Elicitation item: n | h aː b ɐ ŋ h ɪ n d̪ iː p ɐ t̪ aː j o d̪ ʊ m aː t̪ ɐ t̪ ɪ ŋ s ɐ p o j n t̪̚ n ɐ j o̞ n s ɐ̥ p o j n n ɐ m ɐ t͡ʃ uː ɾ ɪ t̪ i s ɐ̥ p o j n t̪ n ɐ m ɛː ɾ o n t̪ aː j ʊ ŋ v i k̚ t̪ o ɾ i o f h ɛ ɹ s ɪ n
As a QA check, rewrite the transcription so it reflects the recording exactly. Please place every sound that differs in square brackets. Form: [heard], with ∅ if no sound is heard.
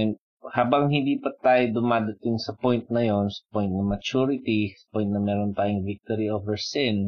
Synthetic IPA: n | h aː b ɐ ŋ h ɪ n d̪ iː p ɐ t̪ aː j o d̪ ʊ m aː [d̪] ɐ t̪ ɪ ŋ s ɐ p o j n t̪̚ n ɐ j o̞ n s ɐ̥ p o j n n ɐ m ɐ t͡ʃ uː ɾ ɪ t̪ i s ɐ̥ p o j n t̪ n ɐ m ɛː ɾ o n t̪ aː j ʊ ŋ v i k̚ t̪ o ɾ i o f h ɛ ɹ s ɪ n